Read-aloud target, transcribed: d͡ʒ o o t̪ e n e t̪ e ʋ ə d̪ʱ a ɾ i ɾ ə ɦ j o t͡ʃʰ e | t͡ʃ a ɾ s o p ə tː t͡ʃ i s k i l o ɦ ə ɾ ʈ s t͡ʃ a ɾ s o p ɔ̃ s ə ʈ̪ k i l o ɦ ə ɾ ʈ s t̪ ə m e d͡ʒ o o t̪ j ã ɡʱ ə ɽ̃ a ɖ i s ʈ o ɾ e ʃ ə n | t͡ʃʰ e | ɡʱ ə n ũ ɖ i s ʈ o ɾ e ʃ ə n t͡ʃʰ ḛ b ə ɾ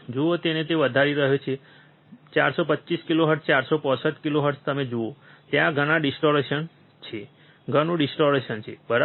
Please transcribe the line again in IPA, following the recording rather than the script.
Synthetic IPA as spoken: d͡ʒ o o t̪ e n e t̪ e ʋ ə d̪ʱ a ɾ i ɾ ə ɦ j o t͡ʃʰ e | t͡ʃ a ɾ s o p ə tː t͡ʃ i s k i l o ɦ ə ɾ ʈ s t͡ʃ a ɾ s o p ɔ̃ s ə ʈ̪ k i l o ɦ ə ɾ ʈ s t̪ ə m e d͡ʒ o o t̪ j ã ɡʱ ə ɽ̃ a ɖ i s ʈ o ɾ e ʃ ə n | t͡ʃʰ e | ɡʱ ə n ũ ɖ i s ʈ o ɾ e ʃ ə n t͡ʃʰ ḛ b ə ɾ